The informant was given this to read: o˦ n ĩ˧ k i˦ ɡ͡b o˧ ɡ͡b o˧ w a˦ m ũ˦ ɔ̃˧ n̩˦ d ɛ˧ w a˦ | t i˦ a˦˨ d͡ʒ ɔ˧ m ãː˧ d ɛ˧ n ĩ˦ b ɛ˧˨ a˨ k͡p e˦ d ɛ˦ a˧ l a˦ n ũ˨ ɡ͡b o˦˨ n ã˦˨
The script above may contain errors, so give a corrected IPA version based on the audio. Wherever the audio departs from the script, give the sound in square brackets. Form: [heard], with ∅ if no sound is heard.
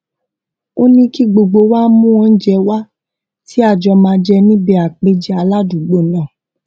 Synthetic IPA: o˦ n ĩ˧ k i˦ ɡ͡b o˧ ɡ͡b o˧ w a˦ m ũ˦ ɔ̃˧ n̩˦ [d͡ʒ] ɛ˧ w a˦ | t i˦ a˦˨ d͡ʒ ɔ˧ m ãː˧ [d͡ʒ] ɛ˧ n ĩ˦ b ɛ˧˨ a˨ k͡p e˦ [d͡ʒ] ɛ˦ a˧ l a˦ [d] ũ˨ ɡ͡b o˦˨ n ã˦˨